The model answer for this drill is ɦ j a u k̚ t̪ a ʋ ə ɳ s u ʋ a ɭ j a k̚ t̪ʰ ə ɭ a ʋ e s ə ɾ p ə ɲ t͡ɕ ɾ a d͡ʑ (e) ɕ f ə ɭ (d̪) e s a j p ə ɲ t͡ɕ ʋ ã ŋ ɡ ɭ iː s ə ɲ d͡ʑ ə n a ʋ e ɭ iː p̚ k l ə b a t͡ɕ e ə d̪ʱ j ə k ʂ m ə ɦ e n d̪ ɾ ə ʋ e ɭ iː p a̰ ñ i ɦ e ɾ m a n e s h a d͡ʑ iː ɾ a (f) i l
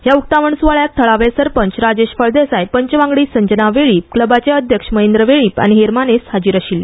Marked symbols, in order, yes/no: yes, yes, no

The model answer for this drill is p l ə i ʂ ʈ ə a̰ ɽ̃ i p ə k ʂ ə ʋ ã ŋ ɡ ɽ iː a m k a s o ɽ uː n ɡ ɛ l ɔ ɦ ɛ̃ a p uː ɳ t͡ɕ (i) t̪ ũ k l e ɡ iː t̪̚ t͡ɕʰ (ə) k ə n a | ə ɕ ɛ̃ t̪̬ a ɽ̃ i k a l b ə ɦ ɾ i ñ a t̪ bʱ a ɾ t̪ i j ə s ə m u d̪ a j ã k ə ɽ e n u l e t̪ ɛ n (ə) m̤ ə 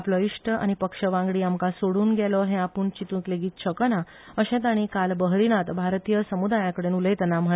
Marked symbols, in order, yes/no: yes, yes, no

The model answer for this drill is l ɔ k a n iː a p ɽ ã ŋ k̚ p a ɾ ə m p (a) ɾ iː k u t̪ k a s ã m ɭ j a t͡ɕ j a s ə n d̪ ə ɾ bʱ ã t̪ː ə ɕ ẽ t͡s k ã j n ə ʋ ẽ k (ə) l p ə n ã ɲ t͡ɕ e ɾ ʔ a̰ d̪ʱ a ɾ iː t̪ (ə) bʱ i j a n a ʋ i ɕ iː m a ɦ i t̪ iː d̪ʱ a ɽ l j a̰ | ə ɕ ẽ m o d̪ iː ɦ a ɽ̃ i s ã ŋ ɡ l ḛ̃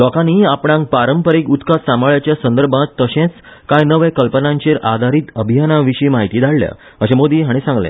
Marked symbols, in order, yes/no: no, yes, yes

